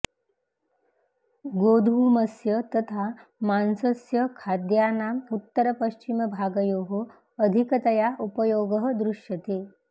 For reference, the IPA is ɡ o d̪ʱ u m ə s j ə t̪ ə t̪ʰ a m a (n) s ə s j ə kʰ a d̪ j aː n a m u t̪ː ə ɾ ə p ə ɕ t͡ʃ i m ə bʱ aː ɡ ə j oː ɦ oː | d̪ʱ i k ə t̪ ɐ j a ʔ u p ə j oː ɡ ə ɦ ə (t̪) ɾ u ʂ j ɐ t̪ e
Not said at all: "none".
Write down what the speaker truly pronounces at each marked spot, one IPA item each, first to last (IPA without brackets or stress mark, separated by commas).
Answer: n, d̪